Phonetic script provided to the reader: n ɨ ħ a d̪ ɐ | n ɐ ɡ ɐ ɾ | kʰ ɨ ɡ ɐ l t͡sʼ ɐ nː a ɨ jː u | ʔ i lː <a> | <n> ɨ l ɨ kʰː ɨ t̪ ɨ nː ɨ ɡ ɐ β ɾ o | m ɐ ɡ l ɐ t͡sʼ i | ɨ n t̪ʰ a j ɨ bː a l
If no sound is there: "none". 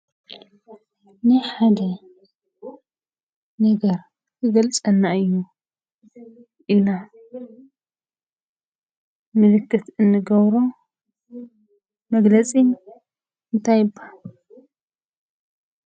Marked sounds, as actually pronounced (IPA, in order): a, m

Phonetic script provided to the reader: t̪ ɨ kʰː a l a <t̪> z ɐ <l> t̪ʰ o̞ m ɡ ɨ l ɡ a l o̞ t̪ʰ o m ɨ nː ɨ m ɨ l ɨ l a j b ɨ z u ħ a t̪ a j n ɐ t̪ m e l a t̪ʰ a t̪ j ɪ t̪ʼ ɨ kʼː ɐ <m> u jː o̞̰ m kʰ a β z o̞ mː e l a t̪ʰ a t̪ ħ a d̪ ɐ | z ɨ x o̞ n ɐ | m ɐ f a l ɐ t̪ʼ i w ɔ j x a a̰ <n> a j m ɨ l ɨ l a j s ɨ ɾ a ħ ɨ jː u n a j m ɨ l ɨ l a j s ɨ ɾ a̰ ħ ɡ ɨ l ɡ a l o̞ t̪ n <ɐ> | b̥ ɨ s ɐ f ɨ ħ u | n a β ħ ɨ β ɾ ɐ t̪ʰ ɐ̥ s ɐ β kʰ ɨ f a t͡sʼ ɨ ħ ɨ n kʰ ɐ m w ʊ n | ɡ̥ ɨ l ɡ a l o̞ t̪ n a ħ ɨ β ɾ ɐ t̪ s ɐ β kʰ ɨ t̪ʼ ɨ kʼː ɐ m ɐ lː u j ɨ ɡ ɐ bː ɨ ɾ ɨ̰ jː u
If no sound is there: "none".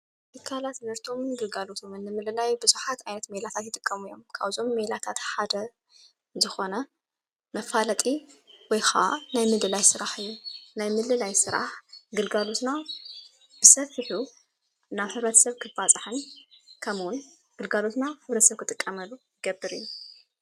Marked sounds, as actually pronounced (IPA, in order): t̪, ɾ, m, n, a

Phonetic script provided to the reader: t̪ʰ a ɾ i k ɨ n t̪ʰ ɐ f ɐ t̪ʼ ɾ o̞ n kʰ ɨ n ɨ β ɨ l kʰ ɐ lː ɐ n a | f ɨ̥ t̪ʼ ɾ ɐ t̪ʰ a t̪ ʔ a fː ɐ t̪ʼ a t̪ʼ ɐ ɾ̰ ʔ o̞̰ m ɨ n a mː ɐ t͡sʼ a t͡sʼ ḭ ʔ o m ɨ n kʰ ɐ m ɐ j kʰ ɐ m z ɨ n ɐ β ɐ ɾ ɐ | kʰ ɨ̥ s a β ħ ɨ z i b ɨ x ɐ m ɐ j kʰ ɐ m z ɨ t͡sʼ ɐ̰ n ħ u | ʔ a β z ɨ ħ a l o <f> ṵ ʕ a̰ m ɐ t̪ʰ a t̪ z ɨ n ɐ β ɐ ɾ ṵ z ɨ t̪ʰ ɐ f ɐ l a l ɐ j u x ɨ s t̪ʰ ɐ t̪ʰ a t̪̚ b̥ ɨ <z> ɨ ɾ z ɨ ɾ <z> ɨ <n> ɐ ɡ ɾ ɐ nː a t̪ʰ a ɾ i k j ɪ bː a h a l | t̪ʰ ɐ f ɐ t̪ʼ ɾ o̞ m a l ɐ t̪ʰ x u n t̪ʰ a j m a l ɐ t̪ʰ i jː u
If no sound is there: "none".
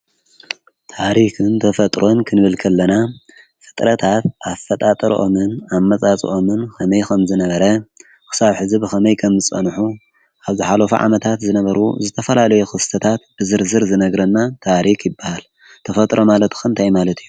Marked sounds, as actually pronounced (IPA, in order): f, z, z, n

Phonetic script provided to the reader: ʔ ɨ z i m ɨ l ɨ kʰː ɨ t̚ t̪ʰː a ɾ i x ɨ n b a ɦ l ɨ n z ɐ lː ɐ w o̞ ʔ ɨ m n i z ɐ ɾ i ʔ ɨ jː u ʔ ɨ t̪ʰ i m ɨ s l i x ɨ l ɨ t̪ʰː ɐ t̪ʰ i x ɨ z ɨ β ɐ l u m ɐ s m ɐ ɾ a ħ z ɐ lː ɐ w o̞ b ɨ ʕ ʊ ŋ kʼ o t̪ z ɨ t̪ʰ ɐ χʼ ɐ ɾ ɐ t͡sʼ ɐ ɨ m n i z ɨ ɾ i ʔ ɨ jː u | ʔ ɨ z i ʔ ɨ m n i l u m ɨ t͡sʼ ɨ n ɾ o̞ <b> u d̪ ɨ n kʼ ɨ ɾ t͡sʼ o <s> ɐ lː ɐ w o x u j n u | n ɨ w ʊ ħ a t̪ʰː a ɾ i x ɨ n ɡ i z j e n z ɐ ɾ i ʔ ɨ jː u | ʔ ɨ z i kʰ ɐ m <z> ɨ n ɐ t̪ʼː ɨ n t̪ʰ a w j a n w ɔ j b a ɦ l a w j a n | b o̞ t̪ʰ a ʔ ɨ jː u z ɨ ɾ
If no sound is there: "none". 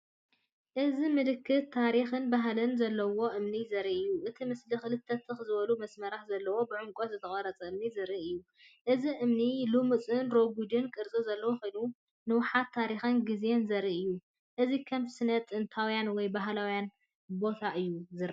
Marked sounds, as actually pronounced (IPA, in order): ɡ, z, s

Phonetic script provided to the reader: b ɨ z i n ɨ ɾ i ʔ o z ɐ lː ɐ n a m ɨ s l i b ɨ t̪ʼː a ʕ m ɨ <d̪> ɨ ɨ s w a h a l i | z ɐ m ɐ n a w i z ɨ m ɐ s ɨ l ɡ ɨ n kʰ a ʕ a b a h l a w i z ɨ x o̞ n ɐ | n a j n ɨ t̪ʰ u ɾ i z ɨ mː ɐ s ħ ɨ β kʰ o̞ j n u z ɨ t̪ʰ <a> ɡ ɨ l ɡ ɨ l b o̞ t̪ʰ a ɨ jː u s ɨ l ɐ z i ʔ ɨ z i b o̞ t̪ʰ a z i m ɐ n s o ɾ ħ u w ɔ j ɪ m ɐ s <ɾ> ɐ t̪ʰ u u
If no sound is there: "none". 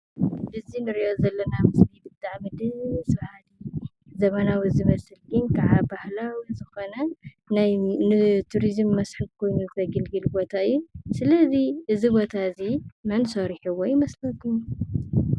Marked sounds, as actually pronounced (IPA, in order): d̪, ɐ, l

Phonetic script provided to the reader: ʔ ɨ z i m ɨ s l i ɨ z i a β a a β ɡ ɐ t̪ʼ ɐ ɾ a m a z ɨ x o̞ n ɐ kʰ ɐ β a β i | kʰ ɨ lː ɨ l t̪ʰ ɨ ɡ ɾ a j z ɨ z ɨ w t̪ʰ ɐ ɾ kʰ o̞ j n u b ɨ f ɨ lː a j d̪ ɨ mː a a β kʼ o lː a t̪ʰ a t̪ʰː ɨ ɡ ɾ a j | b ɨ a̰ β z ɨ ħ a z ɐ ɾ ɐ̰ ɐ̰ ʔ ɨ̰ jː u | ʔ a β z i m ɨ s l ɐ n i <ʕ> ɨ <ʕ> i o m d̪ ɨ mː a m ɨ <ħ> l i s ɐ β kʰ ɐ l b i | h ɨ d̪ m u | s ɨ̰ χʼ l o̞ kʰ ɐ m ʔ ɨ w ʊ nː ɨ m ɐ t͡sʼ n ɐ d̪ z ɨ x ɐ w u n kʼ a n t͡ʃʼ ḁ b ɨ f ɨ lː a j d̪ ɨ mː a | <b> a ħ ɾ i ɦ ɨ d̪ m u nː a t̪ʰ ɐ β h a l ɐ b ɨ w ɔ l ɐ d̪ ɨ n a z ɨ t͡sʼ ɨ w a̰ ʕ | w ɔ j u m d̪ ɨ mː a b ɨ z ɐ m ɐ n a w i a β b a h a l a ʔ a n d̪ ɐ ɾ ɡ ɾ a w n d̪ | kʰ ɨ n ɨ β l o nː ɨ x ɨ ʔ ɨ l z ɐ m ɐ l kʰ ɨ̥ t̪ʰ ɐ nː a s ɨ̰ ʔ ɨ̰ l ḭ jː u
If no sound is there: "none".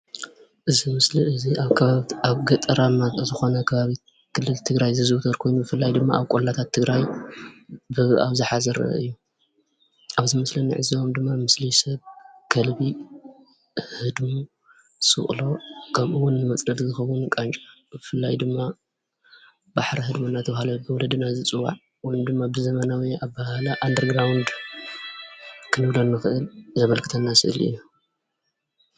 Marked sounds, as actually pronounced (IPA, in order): ʕ, z, s, b

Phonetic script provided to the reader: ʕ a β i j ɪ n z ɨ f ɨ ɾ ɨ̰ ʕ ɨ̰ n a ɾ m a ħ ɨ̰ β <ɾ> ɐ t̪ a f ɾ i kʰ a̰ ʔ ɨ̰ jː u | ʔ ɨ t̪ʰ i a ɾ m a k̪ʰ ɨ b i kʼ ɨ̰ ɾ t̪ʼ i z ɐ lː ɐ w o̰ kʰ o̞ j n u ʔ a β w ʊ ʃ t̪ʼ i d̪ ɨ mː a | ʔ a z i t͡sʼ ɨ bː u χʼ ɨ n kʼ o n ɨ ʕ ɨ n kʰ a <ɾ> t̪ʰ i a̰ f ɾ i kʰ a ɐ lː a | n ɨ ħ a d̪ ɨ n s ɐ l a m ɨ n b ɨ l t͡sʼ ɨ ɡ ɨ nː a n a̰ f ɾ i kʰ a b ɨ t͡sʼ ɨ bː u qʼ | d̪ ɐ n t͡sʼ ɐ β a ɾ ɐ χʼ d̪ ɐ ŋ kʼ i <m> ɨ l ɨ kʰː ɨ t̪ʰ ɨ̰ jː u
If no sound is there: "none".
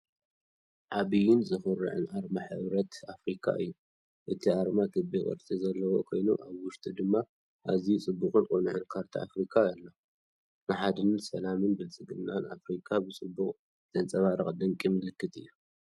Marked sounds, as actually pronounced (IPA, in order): ɾ, ɾ, m

